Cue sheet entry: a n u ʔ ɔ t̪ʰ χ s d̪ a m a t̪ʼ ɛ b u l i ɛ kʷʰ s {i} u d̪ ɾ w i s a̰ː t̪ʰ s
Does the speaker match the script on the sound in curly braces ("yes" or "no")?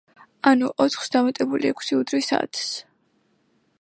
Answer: yes